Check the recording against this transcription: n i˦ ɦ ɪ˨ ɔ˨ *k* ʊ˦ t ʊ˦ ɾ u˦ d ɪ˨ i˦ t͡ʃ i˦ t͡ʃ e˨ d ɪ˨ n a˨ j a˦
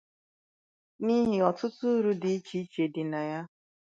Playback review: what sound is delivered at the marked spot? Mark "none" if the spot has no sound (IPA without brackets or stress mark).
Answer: t